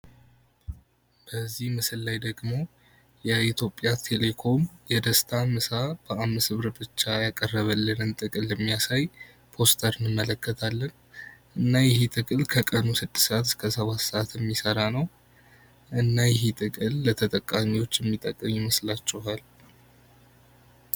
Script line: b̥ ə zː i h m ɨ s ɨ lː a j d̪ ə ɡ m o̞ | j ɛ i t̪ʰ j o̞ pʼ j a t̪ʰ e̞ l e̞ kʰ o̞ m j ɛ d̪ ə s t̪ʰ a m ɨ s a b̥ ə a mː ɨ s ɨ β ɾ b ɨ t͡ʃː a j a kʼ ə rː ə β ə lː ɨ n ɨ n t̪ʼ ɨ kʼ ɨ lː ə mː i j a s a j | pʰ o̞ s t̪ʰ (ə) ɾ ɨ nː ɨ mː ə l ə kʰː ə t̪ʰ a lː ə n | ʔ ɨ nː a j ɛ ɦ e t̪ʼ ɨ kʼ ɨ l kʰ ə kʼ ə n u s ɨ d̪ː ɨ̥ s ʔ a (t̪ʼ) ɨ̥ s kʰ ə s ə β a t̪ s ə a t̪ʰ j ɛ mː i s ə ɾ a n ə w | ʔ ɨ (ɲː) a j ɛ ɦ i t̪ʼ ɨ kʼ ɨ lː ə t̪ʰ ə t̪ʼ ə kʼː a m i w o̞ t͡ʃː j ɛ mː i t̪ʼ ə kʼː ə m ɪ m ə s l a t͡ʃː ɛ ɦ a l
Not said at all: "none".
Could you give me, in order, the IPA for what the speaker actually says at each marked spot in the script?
ə, t̪, nː

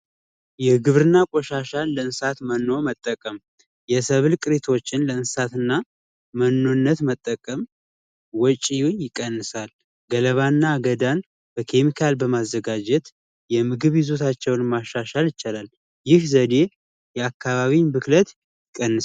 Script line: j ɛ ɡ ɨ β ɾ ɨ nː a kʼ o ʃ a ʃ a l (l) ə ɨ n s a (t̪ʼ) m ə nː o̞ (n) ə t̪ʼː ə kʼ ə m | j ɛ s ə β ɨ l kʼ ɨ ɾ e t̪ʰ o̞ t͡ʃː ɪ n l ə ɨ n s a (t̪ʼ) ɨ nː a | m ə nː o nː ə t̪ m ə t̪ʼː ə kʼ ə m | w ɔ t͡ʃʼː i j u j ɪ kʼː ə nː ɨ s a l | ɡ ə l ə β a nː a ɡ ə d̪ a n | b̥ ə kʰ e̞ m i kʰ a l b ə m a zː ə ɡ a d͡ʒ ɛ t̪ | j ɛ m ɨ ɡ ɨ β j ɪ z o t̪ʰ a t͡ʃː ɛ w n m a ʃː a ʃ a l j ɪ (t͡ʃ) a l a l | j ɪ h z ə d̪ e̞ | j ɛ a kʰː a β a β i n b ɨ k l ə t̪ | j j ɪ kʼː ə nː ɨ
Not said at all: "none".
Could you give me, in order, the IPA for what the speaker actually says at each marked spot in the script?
l, t̪, m, t̪, t͡ʃ

